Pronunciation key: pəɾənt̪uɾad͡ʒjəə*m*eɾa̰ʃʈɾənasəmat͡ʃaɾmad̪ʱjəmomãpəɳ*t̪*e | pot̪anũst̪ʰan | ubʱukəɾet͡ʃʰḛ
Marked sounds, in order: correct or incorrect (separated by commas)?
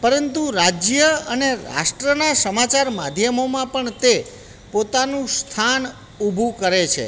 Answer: incorrect, correct